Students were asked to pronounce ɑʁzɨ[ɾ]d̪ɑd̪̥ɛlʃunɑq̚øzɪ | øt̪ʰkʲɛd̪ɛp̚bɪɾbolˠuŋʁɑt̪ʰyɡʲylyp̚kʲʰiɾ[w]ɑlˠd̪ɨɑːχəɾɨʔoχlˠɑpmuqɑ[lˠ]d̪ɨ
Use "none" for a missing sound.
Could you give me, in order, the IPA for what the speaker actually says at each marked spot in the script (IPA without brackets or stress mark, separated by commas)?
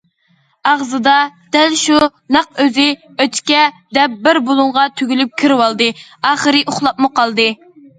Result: none, w, lˠ